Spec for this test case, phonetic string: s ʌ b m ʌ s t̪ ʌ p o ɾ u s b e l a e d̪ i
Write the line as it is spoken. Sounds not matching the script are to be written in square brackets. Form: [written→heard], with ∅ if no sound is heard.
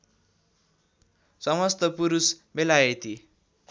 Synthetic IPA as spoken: s ʌ [b→∅] m ʌ s t̪ ʌ p [o→u] ɾ u s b e l a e [d̪→t̪] i